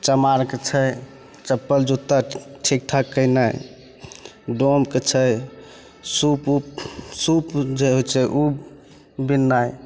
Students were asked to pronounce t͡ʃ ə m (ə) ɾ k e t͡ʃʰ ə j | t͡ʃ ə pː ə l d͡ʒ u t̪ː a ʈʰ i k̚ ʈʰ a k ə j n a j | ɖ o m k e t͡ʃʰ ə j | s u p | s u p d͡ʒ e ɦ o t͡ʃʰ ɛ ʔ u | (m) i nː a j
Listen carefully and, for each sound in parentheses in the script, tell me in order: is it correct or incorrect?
incorrect: a, incorrect: b

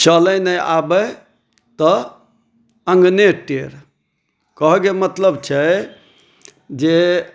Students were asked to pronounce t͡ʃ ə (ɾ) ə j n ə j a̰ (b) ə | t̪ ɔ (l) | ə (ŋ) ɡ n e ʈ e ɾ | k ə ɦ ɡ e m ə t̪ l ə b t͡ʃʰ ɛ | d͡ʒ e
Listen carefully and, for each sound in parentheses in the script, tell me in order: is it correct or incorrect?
incorrect: l, correct, incorrect: none, correct

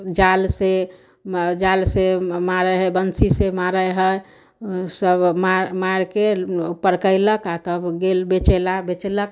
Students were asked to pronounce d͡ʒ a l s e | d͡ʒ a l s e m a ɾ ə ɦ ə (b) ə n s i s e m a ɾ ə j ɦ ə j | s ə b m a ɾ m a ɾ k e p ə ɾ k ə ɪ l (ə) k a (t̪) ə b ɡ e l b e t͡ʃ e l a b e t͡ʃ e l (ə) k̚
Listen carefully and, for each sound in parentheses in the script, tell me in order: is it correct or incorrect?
correct, correct, correct, correct

